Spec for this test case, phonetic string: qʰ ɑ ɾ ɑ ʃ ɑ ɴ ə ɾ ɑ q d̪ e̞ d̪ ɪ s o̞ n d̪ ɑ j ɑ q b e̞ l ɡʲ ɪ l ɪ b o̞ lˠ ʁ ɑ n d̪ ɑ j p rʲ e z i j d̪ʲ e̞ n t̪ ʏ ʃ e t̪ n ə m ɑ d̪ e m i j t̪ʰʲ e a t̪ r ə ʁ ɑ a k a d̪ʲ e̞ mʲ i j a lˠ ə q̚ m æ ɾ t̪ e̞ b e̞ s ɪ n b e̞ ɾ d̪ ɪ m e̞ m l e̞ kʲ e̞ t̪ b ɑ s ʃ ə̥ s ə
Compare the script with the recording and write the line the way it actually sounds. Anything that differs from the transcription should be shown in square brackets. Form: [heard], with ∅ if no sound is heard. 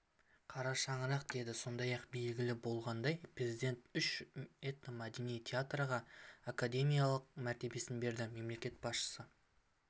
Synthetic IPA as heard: qʰ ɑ ɾ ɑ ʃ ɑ ɴ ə ɾ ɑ q d̪ e̞ d̪ ɪ s o̞ n d̪ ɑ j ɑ q b e̞ l ɡʲ ɪ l ɪ b o̞ lˠ ʁ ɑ n d̪ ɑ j p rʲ e z i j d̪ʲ e̞ n t̪ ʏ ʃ e t̪ n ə m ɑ d̪ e [n] i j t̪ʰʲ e a t̪ r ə ʁ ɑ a k a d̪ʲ e̞ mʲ i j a lˠ ə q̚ m æ ɾ t̪ e̞ b e̞ s ɪ n b e̞ ɾ d̪ ɪ m e̞ m l e̞ kʲ e̞ t̪ b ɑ s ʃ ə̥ s ə